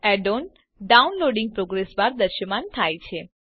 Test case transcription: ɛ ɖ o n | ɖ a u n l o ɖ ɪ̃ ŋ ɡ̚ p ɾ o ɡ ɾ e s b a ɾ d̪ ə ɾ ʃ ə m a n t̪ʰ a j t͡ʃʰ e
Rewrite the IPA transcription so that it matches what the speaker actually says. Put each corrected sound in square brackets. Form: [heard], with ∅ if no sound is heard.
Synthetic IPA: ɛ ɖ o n | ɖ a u n l o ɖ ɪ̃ ŋ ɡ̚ p ɾ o ɡ ɾ e s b a ɾ d̪ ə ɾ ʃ ə m a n t̪ʰ a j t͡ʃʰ e